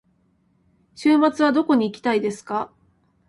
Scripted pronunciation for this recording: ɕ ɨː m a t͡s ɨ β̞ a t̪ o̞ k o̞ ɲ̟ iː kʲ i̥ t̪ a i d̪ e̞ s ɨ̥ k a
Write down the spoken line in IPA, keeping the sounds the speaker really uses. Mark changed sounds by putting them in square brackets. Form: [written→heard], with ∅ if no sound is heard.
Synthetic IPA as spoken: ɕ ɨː m a t͡s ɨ β̞ a [t̪→d̪] o̞ k o̞ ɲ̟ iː kʲ i̥ t̪ a i d̪ e̞ s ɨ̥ k a